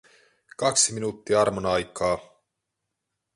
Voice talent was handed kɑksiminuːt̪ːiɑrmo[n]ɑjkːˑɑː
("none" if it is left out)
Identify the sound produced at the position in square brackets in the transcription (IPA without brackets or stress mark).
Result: n